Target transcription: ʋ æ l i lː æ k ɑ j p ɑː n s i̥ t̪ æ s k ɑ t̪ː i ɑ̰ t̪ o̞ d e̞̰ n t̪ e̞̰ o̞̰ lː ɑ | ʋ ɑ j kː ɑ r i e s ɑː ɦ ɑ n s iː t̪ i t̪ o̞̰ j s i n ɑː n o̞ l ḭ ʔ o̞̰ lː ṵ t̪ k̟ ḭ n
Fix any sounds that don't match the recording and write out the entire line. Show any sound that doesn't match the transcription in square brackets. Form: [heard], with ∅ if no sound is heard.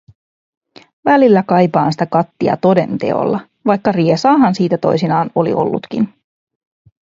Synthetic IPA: ʋ æ l i lː æ k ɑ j p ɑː n s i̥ t̪ æ [∅] k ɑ t̪ː i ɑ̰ t̪ o̞ d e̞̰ n t̪ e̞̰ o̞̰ lː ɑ | ʋ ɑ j kː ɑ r i e s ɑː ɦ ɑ n s iː t̪ [æ] t̪ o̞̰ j s i n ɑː n o̞ l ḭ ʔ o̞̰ lː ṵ t̪ k̟ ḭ n